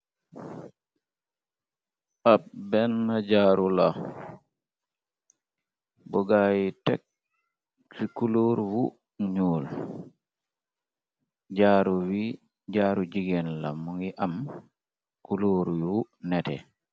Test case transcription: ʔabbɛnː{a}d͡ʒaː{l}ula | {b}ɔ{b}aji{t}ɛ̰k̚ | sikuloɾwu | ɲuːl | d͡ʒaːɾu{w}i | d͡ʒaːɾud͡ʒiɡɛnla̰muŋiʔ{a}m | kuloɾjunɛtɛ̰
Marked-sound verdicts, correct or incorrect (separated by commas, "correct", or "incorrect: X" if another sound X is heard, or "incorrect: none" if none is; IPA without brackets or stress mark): correct, incorrect: ɾ, correct, incorrect: ɡ, correct, correct, correct